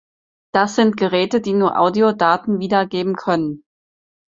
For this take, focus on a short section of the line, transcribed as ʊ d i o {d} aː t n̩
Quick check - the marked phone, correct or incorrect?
correct